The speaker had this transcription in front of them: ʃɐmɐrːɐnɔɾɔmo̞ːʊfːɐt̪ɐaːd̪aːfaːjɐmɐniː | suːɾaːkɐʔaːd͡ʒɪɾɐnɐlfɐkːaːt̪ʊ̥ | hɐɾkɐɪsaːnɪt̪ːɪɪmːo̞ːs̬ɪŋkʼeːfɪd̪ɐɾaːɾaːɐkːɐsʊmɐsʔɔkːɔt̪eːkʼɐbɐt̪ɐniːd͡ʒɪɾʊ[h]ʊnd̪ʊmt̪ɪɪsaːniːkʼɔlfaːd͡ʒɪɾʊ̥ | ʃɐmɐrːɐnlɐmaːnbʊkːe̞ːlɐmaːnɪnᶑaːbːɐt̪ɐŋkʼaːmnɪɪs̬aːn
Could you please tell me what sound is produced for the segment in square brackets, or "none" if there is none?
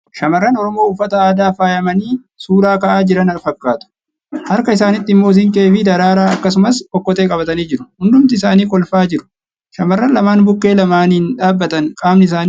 h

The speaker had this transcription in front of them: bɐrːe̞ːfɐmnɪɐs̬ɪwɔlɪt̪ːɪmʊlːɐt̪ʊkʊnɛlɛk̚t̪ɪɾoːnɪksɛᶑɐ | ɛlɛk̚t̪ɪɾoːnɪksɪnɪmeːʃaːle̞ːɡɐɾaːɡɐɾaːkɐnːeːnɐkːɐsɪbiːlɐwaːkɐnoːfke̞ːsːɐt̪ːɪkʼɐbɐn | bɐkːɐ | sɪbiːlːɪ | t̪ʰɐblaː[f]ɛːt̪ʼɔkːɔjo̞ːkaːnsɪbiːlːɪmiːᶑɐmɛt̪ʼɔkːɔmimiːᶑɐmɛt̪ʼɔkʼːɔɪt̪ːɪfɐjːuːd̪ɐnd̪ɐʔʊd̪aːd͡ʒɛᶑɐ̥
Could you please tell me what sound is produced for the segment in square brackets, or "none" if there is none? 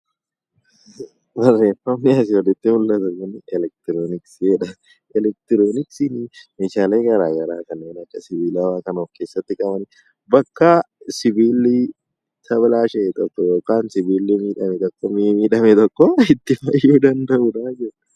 ʃ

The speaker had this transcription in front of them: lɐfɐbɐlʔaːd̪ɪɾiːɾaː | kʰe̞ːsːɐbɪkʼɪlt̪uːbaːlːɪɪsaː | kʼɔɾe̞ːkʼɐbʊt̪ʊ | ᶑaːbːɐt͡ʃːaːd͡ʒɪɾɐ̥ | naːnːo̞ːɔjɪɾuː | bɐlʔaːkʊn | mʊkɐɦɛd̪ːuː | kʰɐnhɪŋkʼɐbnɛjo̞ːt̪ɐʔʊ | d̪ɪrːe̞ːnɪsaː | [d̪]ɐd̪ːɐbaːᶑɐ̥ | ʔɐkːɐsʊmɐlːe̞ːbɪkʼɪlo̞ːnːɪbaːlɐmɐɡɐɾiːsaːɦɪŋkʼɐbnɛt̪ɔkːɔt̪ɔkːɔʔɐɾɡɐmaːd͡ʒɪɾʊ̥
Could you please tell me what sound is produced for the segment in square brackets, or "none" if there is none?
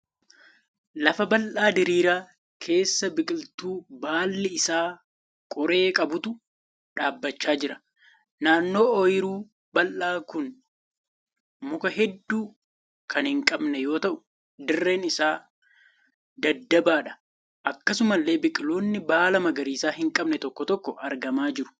d̪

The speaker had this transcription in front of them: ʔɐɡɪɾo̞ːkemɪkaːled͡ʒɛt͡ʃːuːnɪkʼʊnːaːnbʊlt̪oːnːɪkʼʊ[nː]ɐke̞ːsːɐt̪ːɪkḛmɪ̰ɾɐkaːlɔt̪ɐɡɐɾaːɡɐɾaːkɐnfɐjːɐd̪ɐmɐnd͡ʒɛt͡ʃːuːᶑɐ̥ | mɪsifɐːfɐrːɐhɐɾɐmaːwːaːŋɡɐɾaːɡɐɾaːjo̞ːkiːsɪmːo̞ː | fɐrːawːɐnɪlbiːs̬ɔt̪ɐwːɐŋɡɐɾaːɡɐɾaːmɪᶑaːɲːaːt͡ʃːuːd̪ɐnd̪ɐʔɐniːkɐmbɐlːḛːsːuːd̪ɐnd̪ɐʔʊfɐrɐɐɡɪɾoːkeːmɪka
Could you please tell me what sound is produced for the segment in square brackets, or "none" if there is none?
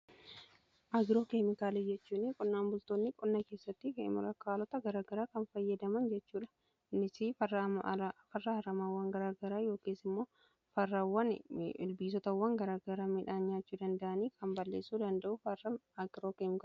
nː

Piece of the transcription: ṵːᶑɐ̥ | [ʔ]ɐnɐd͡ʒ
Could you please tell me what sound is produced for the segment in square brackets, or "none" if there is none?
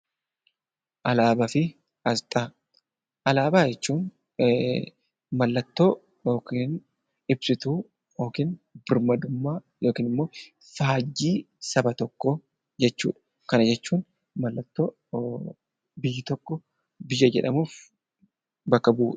k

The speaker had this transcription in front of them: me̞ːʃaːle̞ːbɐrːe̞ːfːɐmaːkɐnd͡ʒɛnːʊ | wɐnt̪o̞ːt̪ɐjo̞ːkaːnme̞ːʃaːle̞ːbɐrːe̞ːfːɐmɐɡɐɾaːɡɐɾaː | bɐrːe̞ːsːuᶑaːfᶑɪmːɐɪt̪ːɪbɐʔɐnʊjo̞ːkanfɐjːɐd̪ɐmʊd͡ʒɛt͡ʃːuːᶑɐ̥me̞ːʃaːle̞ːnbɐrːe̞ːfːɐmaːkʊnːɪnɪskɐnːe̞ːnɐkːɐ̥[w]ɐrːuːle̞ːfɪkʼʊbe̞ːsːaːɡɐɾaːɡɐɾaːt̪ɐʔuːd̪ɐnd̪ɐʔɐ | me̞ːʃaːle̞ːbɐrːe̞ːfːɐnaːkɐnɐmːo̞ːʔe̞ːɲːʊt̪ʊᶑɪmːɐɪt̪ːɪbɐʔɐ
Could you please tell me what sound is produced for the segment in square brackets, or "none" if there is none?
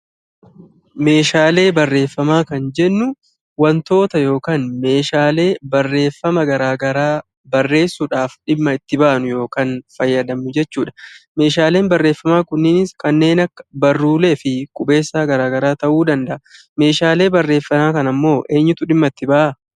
b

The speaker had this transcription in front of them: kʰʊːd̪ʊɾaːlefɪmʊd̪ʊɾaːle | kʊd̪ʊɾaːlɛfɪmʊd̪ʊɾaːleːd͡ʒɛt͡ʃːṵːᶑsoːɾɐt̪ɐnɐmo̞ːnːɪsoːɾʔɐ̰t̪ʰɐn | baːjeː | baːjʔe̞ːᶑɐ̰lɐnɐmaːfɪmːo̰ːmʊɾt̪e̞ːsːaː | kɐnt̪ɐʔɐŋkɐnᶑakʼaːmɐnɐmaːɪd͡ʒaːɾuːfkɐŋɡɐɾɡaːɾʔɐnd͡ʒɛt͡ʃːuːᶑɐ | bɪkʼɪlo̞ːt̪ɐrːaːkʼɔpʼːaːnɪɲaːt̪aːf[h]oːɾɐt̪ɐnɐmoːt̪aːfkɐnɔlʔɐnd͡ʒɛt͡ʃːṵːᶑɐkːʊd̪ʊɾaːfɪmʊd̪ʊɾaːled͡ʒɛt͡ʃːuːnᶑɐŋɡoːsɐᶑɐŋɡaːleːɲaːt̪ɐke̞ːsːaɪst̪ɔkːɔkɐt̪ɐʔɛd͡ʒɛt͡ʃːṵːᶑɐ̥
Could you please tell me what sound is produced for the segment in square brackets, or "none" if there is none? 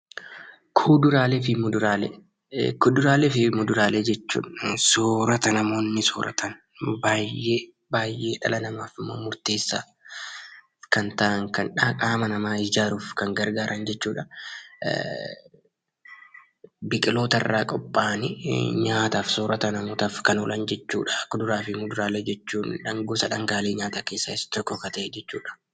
s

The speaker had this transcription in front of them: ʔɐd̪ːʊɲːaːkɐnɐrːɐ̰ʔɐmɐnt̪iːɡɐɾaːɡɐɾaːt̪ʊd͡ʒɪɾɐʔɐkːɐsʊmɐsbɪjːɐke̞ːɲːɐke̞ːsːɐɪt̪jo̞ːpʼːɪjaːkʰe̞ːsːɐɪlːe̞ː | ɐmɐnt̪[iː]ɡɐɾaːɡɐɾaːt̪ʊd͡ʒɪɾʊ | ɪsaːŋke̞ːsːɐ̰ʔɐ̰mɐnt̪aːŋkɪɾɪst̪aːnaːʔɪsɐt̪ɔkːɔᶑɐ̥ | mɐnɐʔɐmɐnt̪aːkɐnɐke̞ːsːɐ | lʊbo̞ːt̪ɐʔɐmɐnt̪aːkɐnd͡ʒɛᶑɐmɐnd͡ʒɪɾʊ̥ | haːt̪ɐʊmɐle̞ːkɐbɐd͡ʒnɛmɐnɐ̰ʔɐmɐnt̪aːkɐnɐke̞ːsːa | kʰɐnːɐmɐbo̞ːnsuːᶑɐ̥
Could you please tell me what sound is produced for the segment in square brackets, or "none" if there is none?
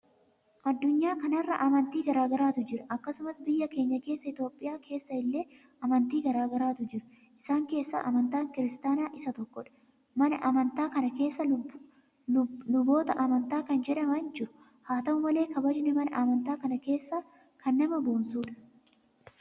iː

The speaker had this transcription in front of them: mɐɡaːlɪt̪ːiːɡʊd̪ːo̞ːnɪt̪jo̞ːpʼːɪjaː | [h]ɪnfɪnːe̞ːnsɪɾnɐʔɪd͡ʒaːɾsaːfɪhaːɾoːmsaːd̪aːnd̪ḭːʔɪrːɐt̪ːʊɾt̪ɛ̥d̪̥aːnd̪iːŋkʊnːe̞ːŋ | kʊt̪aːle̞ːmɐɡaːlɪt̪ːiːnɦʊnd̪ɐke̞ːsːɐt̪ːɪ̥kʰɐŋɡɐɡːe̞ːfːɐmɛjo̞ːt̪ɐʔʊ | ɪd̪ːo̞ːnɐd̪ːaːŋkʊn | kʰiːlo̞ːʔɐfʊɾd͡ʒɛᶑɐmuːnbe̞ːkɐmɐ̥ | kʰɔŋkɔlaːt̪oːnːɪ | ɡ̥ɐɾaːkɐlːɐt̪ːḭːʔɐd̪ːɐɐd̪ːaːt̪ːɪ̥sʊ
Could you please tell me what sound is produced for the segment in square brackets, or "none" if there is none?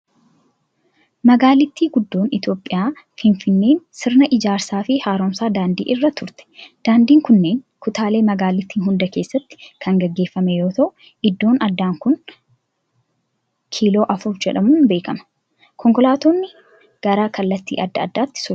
f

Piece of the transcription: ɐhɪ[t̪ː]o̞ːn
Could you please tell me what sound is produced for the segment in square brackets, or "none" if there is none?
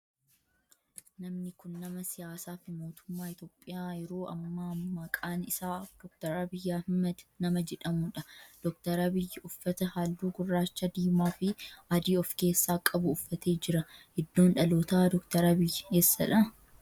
d̪ː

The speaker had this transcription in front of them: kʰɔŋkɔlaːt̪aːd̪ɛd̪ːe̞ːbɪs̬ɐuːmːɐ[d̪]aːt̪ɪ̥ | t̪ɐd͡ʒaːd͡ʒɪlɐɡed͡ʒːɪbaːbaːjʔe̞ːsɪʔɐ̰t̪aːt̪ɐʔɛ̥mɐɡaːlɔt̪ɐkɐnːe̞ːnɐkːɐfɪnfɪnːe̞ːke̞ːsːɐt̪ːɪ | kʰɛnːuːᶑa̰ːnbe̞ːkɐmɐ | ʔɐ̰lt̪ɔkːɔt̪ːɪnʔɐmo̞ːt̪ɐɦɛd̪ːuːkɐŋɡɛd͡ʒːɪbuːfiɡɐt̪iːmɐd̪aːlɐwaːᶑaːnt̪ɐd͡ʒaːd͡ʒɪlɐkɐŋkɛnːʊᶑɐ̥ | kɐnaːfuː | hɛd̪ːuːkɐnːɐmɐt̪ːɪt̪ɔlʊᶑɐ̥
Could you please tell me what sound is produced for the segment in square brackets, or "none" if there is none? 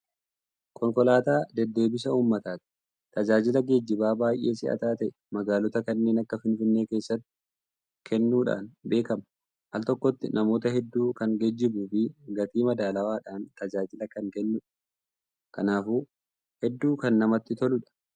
t̪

